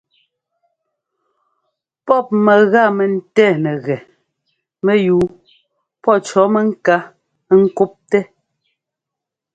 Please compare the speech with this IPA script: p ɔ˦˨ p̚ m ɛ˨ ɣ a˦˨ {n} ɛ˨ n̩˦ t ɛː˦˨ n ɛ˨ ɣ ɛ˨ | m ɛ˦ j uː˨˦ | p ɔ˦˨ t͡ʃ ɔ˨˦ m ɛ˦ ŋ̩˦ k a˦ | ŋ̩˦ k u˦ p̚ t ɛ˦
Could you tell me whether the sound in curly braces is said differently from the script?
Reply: yes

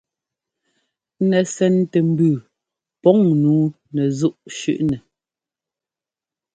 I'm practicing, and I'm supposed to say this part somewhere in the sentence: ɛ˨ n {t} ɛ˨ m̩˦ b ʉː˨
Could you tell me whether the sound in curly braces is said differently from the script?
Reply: no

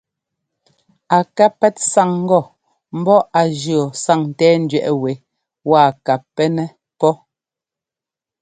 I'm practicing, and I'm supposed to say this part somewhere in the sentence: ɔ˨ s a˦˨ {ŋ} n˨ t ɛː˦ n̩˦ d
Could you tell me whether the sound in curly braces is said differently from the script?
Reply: no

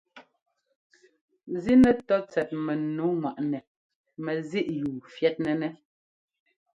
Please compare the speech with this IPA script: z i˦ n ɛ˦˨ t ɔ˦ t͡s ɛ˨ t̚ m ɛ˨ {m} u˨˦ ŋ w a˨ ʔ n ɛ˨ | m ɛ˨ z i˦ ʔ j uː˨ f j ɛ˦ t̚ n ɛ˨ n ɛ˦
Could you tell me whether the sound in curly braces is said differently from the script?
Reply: yes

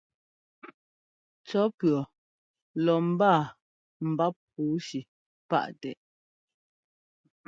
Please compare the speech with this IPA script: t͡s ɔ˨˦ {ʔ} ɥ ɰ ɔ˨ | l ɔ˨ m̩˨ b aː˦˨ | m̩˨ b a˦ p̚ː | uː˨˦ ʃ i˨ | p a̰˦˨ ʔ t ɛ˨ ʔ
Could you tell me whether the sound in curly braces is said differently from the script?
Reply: yes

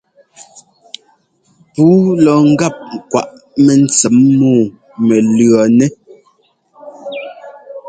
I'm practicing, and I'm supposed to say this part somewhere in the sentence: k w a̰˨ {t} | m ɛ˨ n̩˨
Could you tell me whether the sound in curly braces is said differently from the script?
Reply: yes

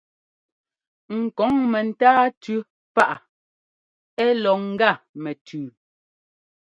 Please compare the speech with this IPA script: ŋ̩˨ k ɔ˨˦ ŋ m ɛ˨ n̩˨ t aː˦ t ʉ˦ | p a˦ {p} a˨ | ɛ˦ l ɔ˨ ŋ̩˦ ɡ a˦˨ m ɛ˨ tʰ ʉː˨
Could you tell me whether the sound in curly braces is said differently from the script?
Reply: yes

